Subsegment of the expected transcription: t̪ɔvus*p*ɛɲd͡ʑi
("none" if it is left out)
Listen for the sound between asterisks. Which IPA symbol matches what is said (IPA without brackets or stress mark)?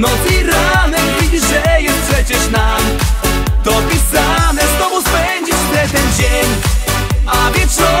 p